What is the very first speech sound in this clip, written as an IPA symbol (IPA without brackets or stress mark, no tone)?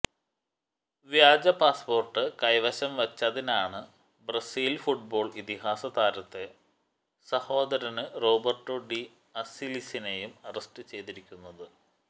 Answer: ʋ